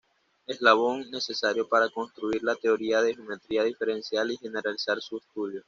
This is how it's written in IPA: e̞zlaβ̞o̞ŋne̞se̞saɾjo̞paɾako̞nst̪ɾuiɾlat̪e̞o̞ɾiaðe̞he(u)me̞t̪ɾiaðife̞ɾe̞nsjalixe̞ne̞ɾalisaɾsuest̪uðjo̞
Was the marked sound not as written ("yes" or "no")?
yes